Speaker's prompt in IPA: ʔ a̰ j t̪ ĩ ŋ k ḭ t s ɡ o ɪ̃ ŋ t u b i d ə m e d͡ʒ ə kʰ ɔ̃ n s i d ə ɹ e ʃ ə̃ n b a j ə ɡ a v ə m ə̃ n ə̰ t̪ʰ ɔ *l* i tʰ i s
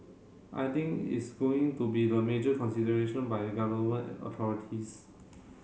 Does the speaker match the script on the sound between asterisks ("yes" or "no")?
no